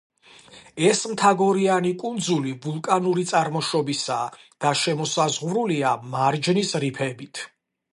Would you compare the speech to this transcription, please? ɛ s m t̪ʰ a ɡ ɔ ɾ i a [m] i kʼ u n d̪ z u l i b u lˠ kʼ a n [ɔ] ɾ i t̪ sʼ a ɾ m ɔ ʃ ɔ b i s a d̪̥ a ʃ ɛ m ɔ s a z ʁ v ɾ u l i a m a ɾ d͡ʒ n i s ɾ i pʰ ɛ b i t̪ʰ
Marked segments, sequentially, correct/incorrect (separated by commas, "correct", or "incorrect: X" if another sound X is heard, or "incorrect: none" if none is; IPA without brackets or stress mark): incorrect: n, incorrect: u